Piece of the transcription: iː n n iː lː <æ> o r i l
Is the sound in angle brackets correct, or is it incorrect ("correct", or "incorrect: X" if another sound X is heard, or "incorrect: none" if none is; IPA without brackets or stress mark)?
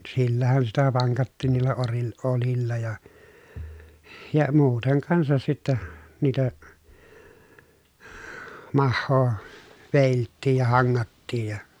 correct